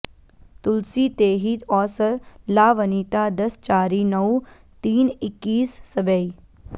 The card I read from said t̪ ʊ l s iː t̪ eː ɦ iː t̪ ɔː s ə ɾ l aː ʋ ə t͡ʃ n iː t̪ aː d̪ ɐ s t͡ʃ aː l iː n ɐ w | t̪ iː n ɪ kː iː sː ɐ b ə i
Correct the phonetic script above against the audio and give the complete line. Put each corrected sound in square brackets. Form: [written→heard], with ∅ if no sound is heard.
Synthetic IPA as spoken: t̪ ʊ l s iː t̪ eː ɦ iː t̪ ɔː s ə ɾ l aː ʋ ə [t͡ʃ→∅] n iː t̪ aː d̪ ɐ s t͡ʃ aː [l→ɾ] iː n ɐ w | t̪ iː n ɪ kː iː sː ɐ b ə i